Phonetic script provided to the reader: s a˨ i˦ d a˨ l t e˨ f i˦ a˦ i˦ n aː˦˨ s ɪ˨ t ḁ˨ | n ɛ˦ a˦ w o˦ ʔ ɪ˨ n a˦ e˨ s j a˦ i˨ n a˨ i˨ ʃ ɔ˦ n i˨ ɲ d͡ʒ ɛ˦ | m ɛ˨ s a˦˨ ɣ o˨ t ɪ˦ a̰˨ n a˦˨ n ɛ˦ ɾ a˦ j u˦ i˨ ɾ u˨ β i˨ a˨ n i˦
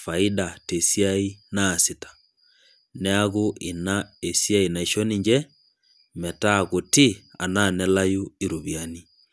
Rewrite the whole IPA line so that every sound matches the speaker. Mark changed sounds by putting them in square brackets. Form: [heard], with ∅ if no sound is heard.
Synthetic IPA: [f] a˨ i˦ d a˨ [∅] t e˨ [s] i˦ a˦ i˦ n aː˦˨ s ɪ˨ t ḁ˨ | n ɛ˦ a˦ [ɣ] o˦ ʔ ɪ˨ n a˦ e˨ s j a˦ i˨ n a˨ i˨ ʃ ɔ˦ n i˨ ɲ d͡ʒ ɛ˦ | m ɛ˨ [t] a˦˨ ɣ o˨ t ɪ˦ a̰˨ n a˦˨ n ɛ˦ [l] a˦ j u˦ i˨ ɾ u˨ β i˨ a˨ n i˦